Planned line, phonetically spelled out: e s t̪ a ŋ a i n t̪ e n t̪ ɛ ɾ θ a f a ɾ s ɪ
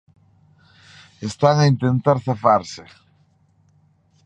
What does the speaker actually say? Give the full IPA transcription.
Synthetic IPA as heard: e s t̪ a ŋ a i n t̪ e n t̪ a ɾ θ a f a ɾ s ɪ